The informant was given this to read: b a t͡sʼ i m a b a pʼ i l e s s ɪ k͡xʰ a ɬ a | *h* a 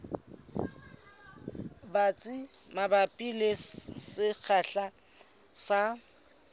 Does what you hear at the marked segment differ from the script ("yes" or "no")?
yes